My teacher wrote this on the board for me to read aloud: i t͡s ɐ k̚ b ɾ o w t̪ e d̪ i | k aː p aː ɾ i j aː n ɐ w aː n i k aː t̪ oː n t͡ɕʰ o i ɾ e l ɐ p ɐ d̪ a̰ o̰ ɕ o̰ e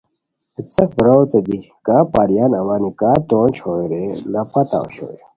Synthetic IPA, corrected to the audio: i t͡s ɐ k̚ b ɾ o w t̪ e d̪ i | k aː p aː ɾ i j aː n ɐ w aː n i k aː t̪ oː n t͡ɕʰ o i ɾ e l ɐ p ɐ t̪ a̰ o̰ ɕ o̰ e